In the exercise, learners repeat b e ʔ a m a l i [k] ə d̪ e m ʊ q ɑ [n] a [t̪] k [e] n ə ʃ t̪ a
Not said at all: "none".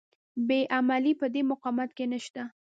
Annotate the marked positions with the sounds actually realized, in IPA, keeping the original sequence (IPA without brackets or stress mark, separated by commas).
p, m, t̪, e